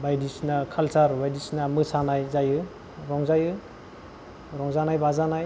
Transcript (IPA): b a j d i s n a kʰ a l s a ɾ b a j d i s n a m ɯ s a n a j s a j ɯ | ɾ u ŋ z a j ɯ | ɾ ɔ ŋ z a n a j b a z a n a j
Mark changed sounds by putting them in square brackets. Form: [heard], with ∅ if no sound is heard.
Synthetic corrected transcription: b a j d i s n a kʰ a l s a ɾ b a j d i s n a m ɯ s a n a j [z] a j ɯ | ɾ [ɔ] ŋ z a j ɯ | ɾ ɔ ŋ z a n a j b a z a n a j